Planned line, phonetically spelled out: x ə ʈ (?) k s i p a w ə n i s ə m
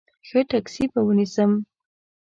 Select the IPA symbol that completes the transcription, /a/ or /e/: a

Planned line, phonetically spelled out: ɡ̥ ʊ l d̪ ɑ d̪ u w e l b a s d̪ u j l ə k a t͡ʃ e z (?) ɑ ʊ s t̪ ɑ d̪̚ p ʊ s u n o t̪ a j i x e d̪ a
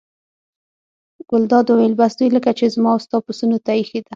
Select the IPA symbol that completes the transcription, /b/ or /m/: m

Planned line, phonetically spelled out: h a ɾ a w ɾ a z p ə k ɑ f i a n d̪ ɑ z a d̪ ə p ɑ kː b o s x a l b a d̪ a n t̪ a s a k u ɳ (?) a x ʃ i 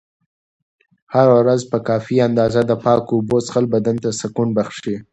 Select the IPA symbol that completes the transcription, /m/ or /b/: b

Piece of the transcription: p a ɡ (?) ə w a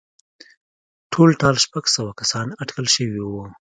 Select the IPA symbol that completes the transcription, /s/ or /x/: s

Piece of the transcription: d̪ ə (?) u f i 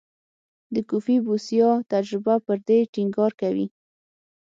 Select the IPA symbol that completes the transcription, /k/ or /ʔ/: k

